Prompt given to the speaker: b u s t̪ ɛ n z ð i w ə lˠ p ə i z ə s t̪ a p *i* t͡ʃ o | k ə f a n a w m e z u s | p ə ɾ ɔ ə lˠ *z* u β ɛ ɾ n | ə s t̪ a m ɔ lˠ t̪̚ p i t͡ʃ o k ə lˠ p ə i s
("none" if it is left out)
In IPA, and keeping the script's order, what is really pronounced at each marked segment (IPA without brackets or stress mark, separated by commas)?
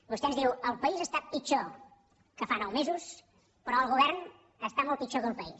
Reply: i, ɣ